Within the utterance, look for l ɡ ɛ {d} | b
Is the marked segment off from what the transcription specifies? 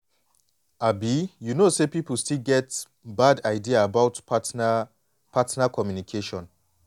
yes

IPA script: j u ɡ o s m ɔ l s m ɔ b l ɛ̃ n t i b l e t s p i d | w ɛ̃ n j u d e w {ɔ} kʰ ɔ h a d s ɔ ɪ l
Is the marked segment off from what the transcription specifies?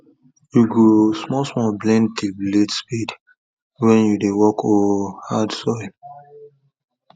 no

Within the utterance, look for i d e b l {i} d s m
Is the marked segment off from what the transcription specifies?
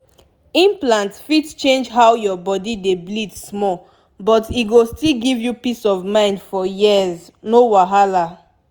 no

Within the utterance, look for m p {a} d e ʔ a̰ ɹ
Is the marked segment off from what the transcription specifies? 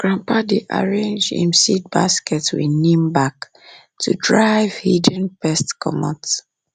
no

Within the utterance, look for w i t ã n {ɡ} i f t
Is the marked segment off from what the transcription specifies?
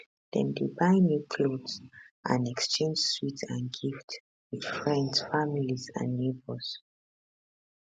no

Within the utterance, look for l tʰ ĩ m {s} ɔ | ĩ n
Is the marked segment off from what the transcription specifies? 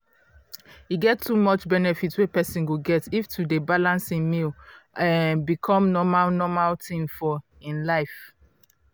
yes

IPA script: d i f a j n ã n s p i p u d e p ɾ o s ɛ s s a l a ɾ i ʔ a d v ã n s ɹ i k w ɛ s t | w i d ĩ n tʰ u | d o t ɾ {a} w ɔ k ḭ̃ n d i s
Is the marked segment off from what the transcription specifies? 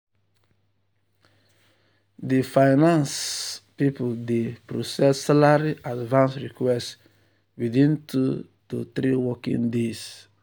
yes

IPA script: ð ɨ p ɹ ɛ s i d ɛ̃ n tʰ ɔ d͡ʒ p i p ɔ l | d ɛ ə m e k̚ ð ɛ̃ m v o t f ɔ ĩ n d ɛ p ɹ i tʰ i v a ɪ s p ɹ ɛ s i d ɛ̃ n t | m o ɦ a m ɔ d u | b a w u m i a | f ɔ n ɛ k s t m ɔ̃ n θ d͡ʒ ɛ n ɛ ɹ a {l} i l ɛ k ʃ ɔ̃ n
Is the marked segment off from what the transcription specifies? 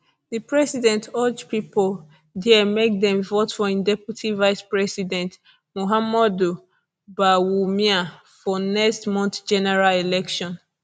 no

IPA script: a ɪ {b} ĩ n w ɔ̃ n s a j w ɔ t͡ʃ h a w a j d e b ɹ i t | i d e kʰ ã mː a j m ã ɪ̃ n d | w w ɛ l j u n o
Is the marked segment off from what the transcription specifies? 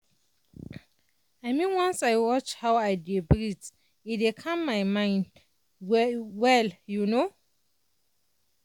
yes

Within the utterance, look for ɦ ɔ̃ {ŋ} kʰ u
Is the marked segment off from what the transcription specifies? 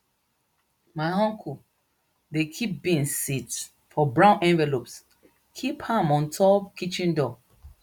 no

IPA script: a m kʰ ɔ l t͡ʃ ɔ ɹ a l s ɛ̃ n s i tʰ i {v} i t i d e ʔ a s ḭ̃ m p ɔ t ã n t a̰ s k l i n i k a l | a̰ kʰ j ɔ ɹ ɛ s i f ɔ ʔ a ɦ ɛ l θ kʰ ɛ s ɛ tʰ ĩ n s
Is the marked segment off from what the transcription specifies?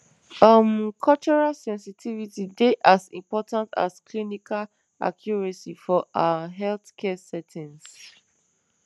no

